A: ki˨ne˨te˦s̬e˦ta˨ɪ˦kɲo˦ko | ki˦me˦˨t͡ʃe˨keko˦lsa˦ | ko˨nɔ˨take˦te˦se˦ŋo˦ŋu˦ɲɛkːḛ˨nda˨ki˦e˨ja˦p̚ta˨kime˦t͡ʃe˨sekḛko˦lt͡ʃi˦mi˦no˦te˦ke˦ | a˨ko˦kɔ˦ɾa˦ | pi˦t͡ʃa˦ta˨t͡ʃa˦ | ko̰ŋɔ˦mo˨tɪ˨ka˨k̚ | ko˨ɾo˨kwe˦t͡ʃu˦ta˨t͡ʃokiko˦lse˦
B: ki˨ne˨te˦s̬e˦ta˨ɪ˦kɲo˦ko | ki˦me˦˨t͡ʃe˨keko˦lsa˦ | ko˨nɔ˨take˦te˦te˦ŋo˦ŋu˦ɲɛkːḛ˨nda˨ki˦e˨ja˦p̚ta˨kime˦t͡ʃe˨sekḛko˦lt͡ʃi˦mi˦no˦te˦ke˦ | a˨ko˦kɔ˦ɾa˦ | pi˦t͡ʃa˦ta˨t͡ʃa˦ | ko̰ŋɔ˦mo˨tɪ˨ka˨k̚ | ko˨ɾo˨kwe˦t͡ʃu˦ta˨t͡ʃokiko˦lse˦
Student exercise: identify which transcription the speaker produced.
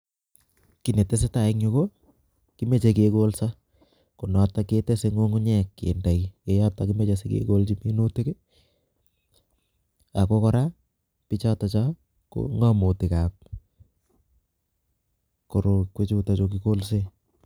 A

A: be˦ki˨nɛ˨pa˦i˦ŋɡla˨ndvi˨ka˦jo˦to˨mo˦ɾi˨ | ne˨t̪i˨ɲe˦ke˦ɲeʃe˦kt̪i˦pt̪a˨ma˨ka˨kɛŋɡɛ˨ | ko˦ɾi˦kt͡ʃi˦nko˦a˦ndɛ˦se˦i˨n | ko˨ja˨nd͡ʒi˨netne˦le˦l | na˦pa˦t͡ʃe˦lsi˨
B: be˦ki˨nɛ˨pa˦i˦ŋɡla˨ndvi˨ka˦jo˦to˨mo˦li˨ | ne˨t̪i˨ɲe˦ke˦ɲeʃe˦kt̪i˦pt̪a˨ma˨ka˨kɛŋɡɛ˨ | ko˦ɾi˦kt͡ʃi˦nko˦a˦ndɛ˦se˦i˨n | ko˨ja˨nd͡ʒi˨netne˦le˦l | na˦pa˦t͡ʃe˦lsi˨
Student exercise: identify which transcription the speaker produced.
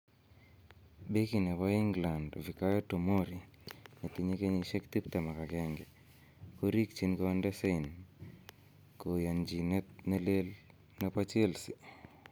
A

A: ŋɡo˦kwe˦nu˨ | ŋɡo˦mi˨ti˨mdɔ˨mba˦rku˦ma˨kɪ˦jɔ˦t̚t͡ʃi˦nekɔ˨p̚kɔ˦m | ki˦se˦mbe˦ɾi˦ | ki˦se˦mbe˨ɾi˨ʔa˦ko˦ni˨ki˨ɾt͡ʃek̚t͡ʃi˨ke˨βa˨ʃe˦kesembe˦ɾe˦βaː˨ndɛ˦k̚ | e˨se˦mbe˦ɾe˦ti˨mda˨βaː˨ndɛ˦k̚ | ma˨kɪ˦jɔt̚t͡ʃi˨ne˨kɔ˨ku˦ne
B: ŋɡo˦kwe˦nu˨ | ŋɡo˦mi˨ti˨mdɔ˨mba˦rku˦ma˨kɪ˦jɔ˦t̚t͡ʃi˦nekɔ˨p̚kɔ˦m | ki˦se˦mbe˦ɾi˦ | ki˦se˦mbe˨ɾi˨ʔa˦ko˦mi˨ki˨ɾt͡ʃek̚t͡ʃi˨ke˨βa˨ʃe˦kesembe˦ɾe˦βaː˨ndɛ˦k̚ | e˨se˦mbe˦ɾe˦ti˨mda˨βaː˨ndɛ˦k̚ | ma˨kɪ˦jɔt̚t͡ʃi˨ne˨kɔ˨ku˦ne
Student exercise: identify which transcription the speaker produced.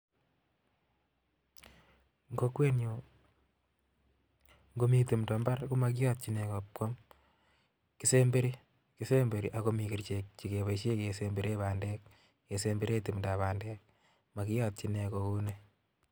B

